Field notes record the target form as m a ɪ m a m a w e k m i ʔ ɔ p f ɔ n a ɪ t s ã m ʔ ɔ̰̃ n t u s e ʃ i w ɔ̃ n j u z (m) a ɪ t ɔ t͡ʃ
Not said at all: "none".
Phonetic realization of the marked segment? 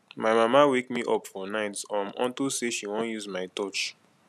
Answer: m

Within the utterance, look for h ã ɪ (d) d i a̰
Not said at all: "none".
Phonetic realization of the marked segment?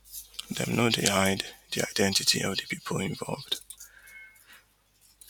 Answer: d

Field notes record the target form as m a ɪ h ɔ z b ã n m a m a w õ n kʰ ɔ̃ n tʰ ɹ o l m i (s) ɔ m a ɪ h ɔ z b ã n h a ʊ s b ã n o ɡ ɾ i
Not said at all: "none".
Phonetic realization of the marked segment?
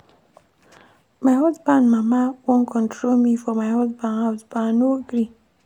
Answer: f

